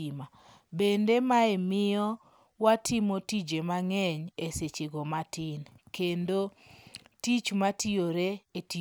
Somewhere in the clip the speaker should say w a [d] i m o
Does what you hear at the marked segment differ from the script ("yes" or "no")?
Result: yes